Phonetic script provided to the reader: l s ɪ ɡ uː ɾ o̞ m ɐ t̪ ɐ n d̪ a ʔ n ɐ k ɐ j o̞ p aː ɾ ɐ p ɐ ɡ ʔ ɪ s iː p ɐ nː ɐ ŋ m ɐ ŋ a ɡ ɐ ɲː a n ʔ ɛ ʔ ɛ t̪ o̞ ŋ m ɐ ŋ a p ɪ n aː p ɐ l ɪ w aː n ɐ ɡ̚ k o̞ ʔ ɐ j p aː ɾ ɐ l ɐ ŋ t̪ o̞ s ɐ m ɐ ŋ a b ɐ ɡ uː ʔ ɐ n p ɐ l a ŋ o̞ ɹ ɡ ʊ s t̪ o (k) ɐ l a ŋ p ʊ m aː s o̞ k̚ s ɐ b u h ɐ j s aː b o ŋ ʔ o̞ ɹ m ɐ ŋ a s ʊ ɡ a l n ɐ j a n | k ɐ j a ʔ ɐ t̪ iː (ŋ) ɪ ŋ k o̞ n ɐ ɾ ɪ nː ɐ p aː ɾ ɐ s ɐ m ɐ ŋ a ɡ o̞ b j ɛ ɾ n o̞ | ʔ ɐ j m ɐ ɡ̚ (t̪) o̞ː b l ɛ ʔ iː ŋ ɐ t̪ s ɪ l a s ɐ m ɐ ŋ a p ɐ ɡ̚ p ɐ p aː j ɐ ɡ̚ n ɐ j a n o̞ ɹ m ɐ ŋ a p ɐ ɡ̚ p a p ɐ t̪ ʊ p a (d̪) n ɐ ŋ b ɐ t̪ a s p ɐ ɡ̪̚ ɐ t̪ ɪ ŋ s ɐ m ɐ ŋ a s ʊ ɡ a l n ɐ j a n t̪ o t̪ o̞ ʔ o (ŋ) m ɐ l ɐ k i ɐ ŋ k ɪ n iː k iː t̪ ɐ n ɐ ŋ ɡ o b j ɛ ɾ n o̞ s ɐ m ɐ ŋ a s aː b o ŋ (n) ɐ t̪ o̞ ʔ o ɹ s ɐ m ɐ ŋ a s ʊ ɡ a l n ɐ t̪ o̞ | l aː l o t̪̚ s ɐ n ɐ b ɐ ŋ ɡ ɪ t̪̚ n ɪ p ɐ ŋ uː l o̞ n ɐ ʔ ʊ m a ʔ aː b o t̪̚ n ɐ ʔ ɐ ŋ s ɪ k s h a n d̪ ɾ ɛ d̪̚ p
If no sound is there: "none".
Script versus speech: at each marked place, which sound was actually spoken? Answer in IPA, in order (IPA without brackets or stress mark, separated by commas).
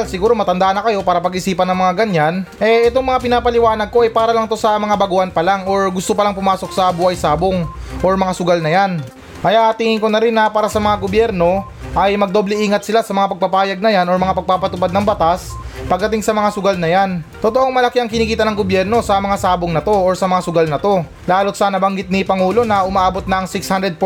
p, ŋ, d̪, d̪, ŋ, n